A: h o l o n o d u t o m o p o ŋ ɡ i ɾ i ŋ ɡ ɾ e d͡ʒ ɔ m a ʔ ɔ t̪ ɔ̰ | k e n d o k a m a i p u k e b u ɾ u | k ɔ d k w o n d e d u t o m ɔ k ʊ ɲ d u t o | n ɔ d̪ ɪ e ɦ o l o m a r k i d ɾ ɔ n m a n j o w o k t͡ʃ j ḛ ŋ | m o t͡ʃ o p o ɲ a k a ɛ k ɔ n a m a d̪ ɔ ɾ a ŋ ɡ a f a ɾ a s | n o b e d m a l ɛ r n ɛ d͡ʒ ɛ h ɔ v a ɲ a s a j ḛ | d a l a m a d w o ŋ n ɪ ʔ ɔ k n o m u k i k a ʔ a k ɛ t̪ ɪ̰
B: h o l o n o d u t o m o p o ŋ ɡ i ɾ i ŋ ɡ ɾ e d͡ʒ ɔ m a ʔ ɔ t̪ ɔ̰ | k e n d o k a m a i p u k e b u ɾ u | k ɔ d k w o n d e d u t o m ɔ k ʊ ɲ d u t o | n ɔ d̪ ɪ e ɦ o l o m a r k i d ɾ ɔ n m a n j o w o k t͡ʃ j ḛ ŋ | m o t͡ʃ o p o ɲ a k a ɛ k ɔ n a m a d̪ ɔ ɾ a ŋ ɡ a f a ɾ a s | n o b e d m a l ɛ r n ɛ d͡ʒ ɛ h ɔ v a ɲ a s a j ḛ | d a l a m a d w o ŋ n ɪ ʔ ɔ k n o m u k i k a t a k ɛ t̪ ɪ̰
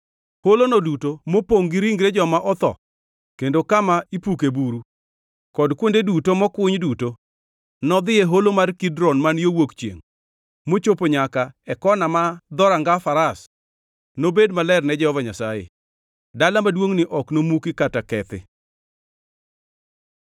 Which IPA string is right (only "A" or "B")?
B